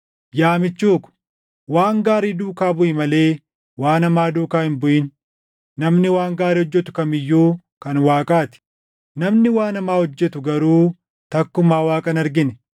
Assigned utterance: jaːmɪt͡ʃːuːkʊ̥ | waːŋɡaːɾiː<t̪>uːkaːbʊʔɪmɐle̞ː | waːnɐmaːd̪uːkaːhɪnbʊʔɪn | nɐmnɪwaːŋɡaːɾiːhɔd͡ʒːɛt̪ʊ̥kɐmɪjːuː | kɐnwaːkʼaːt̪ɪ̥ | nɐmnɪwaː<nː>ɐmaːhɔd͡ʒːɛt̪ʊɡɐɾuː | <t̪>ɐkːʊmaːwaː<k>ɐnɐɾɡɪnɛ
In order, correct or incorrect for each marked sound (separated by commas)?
incorrect, incorrect, correct, incorrect